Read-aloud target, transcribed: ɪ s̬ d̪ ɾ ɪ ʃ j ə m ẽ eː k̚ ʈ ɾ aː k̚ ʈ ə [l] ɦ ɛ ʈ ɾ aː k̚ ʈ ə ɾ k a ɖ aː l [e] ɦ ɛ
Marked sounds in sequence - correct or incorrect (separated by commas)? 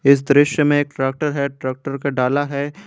incorrect, incorrect